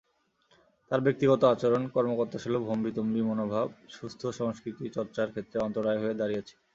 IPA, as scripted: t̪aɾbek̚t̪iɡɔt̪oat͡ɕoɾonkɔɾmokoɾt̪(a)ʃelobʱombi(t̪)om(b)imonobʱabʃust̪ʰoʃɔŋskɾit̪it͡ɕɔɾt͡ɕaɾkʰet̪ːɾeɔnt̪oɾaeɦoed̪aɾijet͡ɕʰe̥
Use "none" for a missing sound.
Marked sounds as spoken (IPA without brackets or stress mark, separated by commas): a, t̪, b